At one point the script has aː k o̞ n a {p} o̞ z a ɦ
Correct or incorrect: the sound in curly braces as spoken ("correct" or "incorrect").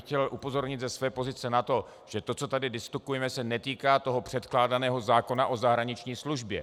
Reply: incorrect